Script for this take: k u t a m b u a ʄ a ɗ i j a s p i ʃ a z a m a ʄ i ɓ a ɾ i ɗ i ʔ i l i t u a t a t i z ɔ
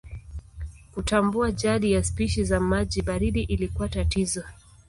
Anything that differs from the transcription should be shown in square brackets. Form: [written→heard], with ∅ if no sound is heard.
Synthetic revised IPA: k u t a m b u a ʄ a ɗ i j a s p i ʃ [a→i] z a m a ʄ i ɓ a ɾ i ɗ i ʔ i l i [t→k] u a t a t i z ɔ